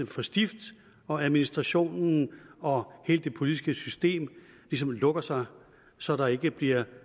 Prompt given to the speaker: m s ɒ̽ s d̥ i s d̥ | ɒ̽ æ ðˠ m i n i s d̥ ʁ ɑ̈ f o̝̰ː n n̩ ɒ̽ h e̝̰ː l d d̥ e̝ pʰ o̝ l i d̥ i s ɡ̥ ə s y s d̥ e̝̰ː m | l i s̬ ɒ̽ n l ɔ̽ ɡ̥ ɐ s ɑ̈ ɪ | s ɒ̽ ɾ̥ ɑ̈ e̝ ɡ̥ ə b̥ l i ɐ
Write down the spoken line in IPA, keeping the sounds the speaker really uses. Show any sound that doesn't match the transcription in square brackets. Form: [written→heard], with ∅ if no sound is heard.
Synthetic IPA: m [s→f] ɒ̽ s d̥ i [s→f] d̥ | ɒ̽ æ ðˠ m i n i s d̥ ʁ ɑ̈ [f→ɕ] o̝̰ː n n̩ ɒ̽ h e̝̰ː l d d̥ e̝ pʰ o̝ l i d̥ i s ɡ̥ ə s y s d̥ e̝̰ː m | l i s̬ ɒ̽ [n→m] l ɔ̽ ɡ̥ ɐ s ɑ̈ ɪ | s ɒ̽ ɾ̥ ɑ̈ e̝ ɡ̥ ə b̥ l i ɐ